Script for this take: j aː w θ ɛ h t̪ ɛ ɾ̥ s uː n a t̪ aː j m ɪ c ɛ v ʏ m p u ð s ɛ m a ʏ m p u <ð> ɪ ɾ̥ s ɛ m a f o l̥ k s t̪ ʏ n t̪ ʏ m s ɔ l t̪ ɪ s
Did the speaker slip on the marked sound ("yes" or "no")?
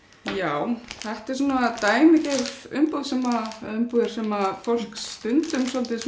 no